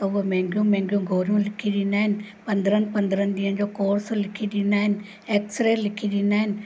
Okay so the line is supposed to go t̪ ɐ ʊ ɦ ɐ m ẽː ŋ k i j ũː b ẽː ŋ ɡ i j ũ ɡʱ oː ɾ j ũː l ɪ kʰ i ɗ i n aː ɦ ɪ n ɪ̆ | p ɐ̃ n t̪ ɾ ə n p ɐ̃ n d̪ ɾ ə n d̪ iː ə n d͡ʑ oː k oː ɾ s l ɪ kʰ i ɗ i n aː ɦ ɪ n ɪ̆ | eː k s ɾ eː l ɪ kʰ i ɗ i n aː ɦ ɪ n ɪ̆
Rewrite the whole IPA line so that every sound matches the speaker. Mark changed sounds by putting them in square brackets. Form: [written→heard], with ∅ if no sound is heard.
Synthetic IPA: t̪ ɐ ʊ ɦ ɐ m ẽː ŋ [k→ɡ] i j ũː [b→m] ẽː ŋ ɡ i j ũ ɡʱ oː ɾ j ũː l ɪ kʰ i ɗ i n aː ɦ ɪ n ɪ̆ | p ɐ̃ n [t̪→d̪] ɾ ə n p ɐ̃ n d̪ ɾ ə n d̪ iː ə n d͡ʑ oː k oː ɾ s l ɪ kʰ i ɗ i n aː ɦ ɪ n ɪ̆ | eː k s ɾ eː l ɪ kʰ i ɗ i n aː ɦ ɪ n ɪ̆